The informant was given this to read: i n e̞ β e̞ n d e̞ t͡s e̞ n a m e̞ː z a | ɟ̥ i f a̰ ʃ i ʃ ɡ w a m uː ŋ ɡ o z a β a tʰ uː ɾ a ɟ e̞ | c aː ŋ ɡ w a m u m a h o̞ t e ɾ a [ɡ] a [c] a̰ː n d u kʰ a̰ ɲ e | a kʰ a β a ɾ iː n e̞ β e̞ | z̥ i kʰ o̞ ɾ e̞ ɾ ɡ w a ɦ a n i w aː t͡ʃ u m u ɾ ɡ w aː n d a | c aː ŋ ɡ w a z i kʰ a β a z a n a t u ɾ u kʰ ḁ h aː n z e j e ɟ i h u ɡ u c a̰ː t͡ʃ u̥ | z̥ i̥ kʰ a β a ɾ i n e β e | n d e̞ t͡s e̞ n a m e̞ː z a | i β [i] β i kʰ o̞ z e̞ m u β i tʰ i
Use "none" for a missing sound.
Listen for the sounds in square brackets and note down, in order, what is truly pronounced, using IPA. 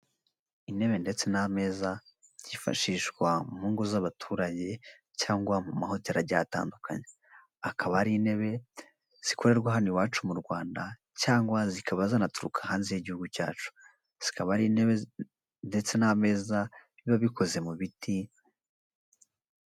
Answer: ɟ, t, a

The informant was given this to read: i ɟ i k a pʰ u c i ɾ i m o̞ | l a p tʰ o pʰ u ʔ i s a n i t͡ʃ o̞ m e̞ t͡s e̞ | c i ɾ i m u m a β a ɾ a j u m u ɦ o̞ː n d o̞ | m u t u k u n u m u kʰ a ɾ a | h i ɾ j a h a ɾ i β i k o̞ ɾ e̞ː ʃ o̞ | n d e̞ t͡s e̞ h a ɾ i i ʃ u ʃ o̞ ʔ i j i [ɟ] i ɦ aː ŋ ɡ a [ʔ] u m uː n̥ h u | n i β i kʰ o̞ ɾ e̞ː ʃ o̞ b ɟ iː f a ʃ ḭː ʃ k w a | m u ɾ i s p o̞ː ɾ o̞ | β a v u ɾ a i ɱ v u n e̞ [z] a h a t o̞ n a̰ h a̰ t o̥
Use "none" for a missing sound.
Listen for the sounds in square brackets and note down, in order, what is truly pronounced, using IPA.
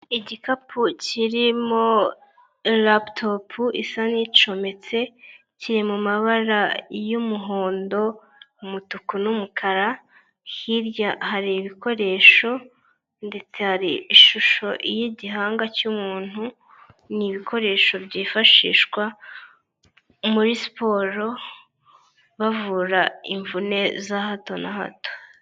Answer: ɟ, c, z

